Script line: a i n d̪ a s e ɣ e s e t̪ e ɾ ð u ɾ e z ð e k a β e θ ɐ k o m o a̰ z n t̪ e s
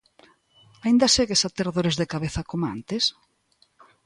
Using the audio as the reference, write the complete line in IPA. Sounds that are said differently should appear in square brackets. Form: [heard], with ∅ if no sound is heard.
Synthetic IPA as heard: a i n d̪ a s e ɣ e s [a] t̪ e ɾ ð [o] ɾ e z ð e k a β e θ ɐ k o m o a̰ [∅] n t̪ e s

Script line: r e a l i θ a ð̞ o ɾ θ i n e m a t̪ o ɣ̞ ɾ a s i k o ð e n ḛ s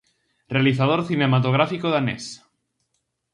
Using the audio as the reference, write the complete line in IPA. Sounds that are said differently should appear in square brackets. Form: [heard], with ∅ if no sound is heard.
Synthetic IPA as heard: r e a l i θ a ð̞ o ɾ θ i n e m a t̪ o ɣ̞ ɾ a [f] i k o ð [a] n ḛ s

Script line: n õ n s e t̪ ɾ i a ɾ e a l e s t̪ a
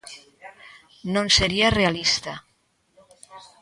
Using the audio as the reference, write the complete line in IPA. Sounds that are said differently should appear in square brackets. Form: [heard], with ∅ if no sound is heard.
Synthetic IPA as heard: n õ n s e [∅] ɾ i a [r] e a l [i] s t̪ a

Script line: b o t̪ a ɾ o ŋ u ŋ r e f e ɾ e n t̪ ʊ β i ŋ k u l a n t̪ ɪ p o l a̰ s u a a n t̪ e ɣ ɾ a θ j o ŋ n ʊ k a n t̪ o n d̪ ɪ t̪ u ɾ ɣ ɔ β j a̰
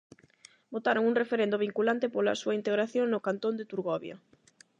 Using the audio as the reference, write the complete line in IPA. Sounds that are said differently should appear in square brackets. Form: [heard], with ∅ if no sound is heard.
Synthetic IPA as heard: b o t̪ a ɾ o ŋ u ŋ r e f e ɾ e n [d̪] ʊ β i ŋ k u l a n t̪ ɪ p o l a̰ s u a [i] n t̪ e ɣ ɾ a θ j o ŋ n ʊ k a n t̪ o n d̪ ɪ t̪ u ɾ ɣ ɔ β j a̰

